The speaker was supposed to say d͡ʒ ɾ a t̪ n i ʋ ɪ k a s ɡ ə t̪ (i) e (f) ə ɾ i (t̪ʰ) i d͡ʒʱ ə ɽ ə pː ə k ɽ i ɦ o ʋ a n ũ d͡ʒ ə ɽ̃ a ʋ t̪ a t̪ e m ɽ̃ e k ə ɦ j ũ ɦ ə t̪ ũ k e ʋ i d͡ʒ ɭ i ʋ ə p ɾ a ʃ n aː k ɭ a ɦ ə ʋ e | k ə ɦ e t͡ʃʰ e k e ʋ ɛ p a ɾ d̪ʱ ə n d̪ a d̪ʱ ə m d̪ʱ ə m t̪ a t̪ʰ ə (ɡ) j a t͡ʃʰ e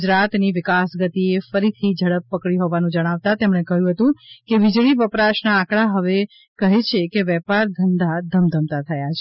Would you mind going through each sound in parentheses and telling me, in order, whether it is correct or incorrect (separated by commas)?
correct, correct, correct, incorrect